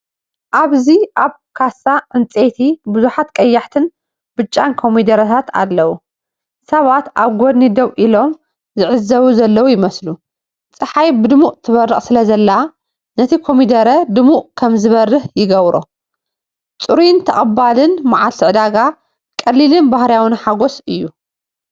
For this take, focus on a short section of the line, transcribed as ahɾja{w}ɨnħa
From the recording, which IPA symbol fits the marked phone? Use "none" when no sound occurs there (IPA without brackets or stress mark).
w